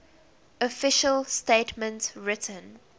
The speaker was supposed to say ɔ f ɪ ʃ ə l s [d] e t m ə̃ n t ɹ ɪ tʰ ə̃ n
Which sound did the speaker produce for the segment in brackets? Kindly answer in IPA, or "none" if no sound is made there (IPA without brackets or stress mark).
t